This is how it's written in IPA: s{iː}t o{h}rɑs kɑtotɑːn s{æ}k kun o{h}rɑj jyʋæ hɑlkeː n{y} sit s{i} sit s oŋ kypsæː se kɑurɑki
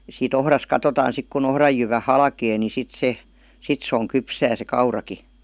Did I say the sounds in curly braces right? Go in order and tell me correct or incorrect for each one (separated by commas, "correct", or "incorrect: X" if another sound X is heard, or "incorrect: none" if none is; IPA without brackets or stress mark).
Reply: correct, correct, incorrect: i, correct, incorrect: i, incorrect: e